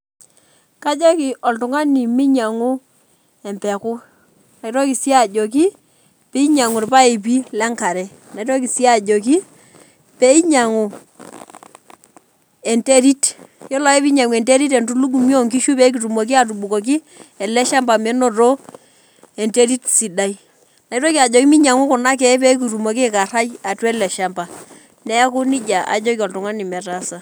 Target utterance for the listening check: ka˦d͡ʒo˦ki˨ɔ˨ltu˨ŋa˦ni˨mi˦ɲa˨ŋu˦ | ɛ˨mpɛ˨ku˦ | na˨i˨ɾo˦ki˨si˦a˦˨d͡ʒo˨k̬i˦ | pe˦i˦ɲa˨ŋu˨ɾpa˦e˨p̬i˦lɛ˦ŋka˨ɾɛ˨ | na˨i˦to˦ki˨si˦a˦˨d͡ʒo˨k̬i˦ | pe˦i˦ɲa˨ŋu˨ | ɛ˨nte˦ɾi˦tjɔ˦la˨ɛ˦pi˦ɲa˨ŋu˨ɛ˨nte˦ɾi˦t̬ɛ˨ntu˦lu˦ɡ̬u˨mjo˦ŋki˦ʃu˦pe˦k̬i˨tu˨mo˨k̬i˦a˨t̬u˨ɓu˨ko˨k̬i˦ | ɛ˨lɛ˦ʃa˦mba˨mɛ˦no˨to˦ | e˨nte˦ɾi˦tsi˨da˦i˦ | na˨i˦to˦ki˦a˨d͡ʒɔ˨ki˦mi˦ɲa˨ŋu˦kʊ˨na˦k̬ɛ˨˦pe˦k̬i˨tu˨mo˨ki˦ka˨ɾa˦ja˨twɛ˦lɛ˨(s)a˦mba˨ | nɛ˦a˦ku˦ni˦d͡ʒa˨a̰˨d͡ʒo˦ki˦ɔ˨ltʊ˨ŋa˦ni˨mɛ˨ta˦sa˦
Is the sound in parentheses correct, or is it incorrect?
incorrect